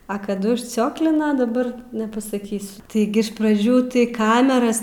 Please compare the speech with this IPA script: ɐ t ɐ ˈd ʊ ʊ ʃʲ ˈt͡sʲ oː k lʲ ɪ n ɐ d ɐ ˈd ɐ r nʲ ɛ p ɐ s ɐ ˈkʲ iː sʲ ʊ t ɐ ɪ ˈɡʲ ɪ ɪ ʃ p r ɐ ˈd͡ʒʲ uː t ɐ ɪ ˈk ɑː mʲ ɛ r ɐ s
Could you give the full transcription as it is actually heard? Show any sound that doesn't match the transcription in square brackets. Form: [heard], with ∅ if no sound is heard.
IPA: ɐ [k] ɐ ˈd ʊ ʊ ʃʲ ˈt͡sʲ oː k lʲ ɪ n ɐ d ɐ [ˈb] ɐ r nʲ ɛ p ɐ s ɐ ˈkʲ iː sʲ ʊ t ɐ ɪ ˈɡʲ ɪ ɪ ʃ p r ɐ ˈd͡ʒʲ uː t ɐ ɪ ˈk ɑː mʲ ɛ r ɐ s